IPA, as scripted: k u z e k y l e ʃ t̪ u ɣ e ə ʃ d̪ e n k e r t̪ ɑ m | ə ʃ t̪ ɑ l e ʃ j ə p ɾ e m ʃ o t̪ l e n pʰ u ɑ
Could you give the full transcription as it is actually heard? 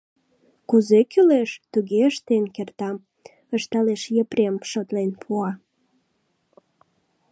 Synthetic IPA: k u z e k y l e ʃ t̪ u ɣ e ə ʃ t̪ e n k e r t̪ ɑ m | ə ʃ t̪ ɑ l e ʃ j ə p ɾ e m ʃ o t̪ l e n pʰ u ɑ